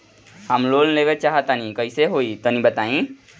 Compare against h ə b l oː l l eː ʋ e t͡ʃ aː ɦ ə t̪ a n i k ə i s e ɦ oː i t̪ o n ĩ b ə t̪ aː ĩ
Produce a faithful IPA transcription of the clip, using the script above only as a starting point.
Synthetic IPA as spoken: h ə m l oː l l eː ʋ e t͡ʃ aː ɦ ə t̪ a n i k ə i s e ɦ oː i t̪ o n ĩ b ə t̪ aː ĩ